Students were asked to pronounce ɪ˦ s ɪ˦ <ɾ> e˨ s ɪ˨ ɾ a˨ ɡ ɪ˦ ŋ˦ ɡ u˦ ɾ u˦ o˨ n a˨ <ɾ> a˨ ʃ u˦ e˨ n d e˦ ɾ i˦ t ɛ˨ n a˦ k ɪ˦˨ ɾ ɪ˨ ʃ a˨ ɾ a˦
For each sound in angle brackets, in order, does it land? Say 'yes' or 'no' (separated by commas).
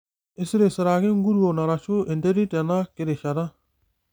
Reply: yes, yes